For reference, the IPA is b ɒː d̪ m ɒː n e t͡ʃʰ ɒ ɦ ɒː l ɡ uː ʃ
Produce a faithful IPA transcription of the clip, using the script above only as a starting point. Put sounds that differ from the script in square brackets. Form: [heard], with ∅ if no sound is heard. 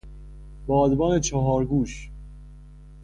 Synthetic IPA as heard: b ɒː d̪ [b] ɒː n e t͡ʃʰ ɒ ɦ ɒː [ɾ] ɡ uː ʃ